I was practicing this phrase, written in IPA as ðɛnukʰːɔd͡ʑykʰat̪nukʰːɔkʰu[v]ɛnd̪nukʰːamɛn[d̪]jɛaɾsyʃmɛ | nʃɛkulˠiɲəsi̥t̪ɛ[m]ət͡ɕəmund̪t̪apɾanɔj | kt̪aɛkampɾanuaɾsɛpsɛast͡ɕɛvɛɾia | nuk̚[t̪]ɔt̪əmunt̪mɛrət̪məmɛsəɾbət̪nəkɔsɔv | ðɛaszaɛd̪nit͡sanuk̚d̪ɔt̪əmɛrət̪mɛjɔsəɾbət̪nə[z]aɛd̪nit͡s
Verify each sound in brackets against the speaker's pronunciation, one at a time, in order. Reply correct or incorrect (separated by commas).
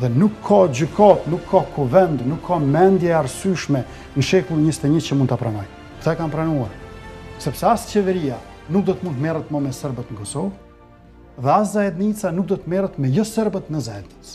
correct, correct, incorrect, incorrect, correct